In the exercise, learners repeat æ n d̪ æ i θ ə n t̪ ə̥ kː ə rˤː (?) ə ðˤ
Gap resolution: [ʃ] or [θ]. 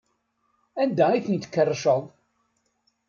ʃ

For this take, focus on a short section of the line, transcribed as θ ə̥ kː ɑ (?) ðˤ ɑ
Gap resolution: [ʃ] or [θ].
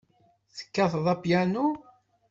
θ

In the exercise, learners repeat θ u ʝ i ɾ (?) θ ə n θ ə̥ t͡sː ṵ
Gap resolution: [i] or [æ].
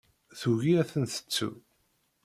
æ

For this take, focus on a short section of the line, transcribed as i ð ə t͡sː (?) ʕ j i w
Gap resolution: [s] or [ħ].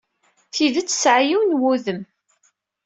s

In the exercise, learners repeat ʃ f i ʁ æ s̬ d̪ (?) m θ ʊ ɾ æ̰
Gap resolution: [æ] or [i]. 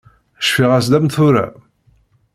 æ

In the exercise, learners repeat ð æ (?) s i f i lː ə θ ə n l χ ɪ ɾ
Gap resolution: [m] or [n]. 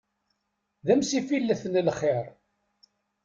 m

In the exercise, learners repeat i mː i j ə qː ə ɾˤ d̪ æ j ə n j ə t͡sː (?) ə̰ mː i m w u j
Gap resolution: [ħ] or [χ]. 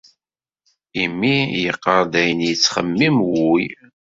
χ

